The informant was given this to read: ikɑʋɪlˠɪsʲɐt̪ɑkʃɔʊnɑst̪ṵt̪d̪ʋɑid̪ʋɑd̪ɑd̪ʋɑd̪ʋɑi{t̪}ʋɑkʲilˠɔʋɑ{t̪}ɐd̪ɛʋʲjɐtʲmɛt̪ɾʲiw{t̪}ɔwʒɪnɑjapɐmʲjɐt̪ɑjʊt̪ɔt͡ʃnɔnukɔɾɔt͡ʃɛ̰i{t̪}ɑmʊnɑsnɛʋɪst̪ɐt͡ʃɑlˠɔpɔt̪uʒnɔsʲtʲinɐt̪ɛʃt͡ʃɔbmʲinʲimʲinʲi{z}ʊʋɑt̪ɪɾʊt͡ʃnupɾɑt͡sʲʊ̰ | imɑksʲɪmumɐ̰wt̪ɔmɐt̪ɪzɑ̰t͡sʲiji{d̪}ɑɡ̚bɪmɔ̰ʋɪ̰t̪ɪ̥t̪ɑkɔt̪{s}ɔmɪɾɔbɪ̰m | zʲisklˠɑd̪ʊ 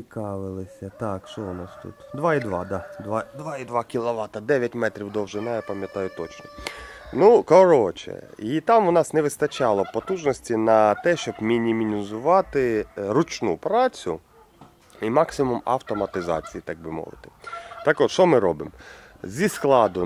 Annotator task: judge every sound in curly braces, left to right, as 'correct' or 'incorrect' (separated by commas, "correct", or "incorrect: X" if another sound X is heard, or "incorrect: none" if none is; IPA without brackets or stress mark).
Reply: incorrect: d̪, correct, incorrect: d̪, correct, correct, incorrect: t̪, incorrect: ʃ